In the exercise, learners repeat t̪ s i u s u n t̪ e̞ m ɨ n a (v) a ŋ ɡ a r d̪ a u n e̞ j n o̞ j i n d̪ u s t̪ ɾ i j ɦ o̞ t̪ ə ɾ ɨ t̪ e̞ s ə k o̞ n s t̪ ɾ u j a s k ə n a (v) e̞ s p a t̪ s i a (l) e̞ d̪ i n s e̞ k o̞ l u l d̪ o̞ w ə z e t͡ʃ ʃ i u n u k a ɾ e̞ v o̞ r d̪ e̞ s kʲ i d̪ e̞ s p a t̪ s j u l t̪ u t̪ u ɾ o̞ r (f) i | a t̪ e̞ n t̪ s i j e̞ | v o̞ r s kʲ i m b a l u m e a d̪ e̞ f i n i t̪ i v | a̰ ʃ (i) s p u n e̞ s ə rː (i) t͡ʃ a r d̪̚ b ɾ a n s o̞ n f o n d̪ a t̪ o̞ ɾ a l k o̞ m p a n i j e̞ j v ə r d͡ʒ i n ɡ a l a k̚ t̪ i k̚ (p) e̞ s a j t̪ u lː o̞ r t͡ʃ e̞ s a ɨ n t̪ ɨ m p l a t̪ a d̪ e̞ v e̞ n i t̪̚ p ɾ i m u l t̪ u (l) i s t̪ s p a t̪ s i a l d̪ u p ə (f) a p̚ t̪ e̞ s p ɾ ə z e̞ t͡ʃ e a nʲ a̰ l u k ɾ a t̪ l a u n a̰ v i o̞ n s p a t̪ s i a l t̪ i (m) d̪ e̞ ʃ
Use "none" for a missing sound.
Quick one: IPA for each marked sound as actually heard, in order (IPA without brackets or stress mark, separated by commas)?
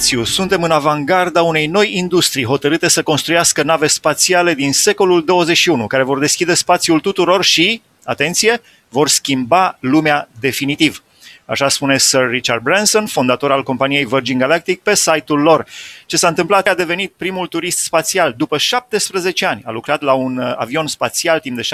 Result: v, v, l, ʃ, a, i, p, ɾ, ʃ, m